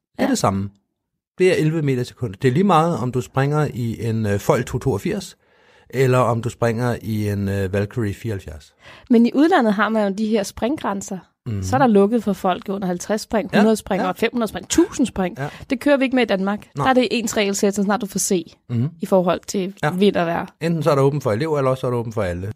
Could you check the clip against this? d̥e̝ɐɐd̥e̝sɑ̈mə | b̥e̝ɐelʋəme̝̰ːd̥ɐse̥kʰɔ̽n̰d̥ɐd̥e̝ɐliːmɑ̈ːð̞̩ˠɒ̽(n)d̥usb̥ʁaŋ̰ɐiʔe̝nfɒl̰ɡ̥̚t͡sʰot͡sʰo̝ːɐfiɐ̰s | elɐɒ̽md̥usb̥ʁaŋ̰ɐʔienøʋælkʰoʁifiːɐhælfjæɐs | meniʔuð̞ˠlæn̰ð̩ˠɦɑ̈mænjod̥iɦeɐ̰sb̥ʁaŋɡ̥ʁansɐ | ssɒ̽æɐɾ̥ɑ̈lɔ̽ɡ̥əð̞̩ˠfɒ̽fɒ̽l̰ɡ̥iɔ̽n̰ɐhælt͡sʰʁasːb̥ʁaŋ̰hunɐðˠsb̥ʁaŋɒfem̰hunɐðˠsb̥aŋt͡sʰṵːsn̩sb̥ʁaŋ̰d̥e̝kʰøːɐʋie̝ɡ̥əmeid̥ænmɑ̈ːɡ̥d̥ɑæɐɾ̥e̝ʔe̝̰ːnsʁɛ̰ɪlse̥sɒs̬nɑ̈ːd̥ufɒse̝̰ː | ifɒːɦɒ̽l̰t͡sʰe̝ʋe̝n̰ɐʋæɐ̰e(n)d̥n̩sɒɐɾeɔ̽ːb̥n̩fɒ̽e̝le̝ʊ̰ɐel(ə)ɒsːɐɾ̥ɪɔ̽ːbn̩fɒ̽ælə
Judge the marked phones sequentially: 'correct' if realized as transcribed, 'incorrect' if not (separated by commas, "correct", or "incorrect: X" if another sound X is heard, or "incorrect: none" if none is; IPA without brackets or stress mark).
incorrect: m, correct, incorrect: ɐ